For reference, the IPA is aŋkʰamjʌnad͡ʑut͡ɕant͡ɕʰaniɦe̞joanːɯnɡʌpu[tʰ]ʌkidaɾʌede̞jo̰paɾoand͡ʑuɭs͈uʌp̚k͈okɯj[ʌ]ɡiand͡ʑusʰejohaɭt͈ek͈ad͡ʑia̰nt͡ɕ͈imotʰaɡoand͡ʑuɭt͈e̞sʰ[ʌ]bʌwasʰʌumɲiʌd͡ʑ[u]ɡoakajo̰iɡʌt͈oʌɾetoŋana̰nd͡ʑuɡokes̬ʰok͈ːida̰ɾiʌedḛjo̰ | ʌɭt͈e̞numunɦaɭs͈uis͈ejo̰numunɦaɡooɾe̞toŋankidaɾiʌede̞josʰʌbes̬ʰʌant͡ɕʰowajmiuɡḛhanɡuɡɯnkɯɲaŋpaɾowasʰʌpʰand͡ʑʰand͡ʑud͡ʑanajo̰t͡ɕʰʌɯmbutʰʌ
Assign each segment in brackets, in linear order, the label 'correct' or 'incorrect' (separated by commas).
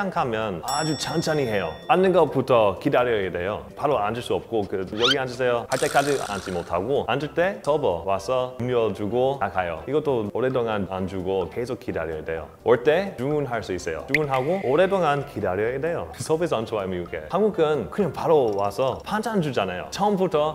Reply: correct, correct, correct, correct